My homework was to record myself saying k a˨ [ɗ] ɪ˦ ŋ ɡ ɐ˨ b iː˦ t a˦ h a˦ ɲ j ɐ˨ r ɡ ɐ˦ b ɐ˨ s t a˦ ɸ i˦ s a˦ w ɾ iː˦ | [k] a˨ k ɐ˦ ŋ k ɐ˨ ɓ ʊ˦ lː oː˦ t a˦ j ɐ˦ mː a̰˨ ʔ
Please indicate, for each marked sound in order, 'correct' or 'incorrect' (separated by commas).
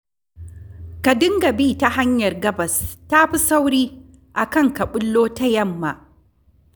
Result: incorrect, incorrect